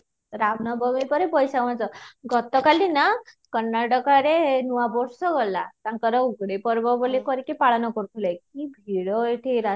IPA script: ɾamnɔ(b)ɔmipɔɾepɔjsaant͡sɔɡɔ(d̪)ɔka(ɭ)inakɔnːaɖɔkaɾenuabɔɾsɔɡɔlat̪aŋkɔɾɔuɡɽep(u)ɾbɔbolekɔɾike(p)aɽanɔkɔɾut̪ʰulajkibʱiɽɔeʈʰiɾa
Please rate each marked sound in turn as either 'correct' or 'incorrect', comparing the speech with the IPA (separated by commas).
correct, incorrect, incorrect, incorrect, correct